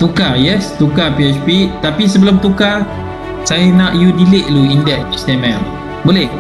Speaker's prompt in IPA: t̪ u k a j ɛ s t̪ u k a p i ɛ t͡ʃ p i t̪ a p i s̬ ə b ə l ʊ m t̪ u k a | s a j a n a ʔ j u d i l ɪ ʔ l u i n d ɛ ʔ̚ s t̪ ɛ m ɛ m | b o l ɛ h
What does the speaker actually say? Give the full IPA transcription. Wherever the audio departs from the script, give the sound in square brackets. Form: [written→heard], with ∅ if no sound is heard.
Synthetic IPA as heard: t̪ u k a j ɛ s t̪ u k a p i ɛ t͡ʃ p i t̪ a p i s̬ ə b ə l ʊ m t̪ u k a | s a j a n a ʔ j u d i l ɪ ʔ l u i n d ɛ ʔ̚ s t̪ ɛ m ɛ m | b o l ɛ h